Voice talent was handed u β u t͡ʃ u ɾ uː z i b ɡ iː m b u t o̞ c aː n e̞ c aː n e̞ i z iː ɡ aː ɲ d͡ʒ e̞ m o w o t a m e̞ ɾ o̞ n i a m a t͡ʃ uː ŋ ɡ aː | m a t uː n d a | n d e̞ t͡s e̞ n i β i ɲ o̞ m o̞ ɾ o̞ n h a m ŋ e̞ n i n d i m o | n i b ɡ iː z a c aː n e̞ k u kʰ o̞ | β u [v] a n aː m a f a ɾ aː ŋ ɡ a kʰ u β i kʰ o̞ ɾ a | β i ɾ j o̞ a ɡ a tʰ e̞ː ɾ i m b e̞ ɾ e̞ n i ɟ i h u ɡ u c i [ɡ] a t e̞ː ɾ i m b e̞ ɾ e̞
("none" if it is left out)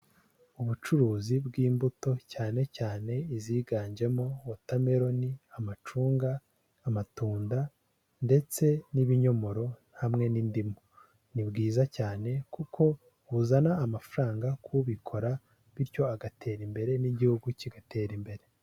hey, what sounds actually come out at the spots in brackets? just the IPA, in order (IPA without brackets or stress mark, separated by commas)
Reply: z, ɡ